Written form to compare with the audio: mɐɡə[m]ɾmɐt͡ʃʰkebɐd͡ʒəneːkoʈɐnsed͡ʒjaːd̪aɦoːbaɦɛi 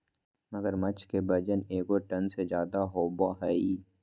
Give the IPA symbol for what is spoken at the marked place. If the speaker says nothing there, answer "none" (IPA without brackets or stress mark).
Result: none